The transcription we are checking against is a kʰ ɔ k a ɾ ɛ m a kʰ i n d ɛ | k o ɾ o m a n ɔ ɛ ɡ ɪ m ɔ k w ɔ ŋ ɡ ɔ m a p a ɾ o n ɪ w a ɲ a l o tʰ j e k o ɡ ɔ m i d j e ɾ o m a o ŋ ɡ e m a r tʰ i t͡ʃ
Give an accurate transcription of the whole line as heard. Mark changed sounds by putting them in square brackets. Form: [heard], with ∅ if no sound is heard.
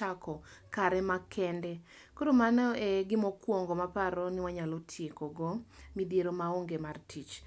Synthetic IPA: a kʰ ɔ k a ɾ ɛ m a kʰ [ɛ] n d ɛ | k o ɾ o m a n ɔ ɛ ɡ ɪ m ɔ k w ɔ ŋ ɡ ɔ m a p a ɾ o n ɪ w a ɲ a l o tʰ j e k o ɡ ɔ m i d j e ɾ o m a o ŋ ɡ e m a r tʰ i t͡ʃ